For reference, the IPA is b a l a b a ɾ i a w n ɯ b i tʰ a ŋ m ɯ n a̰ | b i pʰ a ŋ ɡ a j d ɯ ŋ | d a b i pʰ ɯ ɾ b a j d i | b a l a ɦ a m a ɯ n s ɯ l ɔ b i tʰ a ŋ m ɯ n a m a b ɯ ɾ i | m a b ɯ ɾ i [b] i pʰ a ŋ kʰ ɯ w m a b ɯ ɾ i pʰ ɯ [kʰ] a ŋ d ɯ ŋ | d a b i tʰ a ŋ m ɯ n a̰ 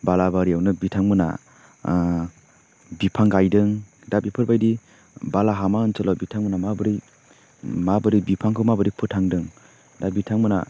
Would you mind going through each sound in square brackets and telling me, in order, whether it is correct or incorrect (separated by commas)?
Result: correct, incorrect